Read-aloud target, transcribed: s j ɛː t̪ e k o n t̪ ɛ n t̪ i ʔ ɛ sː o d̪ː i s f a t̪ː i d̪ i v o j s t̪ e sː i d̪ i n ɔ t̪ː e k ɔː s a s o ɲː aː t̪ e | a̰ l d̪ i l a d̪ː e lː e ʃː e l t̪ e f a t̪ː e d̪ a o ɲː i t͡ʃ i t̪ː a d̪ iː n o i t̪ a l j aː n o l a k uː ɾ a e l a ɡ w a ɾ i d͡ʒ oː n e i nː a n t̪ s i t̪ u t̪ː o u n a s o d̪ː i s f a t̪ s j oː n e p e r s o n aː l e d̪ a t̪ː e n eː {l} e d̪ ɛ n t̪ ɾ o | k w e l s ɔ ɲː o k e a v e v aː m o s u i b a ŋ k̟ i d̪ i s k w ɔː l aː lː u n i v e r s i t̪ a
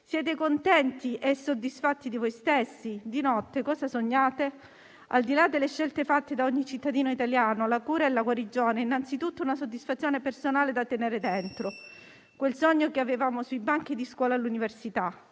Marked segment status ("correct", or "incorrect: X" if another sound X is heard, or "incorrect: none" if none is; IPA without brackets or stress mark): incorrect: ɾ